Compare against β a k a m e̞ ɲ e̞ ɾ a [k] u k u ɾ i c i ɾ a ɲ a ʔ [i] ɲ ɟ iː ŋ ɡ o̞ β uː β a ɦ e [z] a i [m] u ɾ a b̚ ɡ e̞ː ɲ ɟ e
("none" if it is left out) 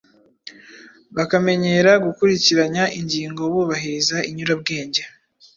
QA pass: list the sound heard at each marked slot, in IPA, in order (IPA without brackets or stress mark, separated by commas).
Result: ɡ, i, z, ɲ